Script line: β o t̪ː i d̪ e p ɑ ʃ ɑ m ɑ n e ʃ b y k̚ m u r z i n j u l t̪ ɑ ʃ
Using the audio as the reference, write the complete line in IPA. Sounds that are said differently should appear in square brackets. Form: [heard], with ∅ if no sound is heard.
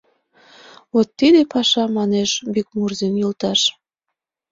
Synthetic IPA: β o t̪ː i d̪ e p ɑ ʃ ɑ m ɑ n e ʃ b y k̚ m u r z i n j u l t̪ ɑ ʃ